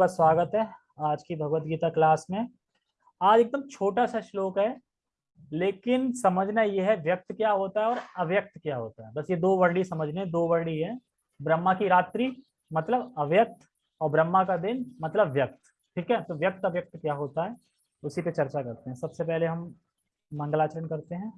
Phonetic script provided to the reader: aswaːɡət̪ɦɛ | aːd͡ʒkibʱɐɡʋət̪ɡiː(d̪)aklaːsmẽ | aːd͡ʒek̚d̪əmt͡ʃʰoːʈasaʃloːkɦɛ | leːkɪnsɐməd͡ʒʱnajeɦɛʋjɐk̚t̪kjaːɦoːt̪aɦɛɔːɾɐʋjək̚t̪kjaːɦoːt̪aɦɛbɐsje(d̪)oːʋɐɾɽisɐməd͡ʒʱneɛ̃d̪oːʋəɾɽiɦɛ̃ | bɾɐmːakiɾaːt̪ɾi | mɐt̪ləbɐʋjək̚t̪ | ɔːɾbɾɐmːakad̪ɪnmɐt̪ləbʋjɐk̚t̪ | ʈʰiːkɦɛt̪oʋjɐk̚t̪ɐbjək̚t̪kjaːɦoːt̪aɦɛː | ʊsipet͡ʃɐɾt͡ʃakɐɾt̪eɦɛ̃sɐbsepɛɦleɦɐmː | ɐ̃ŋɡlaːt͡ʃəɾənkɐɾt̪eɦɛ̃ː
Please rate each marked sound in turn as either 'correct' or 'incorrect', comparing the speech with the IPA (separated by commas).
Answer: incorrect, correct